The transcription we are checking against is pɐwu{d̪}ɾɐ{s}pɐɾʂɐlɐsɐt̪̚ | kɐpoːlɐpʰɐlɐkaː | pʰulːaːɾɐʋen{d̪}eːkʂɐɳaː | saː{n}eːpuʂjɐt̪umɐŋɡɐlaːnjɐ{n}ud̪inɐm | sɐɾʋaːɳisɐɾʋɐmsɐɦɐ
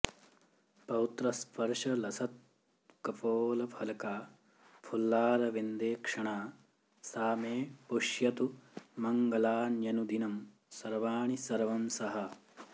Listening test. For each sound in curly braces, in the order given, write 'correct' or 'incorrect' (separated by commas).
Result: incorrect, correct, correct, incorrect, correct